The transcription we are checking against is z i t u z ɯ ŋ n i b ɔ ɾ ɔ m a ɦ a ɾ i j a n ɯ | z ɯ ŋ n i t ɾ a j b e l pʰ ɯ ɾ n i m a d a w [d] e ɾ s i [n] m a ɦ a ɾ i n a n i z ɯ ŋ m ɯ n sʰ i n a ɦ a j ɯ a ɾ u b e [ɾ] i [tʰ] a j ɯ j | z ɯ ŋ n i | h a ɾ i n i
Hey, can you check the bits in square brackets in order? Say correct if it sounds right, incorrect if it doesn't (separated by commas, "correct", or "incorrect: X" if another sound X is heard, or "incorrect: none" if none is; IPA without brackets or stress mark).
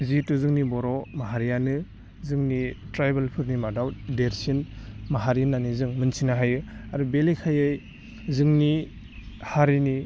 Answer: correct, correct, incorrect: l, incorrect: kʰ